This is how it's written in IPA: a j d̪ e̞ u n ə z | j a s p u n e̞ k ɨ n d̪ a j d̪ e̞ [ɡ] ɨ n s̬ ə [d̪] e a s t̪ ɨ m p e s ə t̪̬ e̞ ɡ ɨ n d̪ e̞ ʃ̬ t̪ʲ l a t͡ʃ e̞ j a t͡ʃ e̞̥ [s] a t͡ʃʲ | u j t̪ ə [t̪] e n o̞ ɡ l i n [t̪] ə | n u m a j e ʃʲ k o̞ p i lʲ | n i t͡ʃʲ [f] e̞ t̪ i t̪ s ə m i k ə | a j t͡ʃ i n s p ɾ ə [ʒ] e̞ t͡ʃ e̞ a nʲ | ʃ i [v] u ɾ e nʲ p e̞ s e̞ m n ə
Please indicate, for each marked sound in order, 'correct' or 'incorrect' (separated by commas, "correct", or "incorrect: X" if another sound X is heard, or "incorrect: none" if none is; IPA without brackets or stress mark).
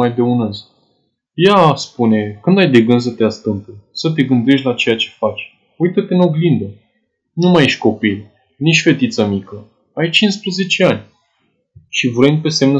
correct, incorrect: t̪, incorrect: f, correct, incorrect: d̪, correct, incorrect: z, correct